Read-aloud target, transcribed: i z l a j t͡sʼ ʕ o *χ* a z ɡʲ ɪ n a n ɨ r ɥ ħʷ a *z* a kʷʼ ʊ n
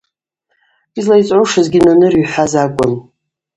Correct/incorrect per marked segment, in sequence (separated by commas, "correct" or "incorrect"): incorrect, correct